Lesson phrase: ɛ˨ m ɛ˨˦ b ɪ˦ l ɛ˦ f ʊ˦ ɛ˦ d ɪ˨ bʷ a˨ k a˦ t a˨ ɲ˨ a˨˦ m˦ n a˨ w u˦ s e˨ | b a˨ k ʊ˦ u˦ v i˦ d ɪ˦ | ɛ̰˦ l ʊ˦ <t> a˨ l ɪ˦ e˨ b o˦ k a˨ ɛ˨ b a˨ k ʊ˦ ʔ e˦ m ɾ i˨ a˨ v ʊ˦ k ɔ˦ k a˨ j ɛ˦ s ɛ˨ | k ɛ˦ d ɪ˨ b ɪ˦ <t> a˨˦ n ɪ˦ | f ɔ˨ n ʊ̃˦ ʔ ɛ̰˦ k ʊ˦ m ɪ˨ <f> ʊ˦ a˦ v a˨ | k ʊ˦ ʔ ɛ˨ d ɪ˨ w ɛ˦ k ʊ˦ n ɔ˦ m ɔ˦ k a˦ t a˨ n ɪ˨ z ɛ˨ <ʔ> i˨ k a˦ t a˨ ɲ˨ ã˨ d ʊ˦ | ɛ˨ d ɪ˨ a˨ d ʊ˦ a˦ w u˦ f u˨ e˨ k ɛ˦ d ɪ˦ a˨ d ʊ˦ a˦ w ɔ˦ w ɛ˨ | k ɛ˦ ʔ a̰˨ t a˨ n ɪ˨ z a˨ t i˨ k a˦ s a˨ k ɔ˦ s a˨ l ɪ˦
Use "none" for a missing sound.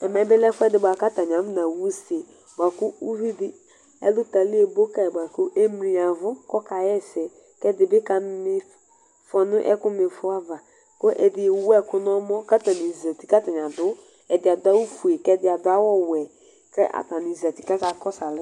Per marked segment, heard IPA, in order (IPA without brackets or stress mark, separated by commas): t, k, f, t